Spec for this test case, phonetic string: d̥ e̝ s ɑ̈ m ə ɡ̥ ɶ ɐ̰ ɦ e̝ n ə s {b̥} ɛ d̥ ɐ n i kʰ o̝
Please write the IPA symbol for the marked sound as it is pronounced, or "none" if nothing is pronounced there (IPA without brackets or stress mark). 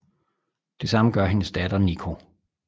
d̥